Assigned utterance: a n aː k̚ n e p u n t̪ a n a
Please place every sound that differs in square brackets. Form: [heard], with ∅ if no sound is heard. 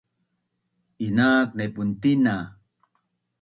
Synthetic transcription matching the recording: [i] n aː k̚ n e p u n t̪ [i] n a